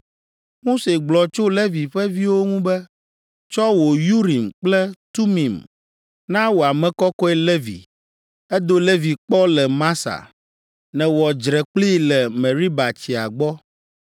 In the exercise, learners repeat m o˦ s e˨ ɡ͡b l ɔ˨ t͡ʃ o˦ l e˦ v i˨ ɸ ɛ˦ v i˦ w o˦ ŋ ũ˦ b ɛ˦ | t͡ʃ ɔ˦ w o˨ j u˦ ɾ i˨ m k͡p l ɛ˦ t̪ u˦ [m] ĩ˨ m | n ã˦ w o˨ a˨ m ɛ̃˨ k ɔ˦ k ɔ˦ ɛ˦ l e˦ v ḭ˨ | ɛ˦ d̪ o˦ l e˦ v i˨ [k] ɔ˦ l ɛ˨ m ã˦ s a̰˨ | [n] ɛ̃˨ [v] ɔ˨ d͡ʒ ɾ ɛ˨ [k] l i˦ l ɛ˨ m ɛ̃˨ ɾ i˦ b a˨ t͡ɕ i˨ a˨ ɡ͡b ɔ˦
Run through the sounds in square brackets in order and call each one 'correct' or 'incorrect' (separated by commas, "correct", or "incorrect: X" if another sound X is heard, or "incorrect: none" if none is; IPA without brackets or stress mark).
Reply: correct, incorrect: k͡p, correct, incorrect: w, incorrect: k͡p